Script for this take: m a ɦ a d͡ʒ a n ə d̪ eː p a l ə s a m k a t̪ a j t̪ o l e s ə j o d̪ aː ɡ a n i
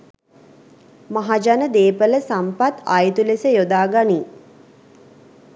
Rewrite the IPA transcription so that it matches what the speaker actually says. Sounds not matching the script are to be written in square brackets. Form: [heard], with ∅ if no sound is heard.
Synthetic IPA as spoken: m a ɦ a d͡ʒ a n ə d̪ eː p [ə] l ə s a m [p] a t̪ a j t̪ [u] l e s ə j o d̪ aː ɡ a n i